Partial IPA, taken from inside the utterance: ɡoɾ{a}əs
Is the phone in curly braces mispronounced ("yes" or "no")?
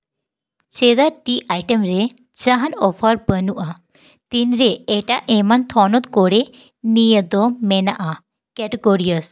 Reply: yes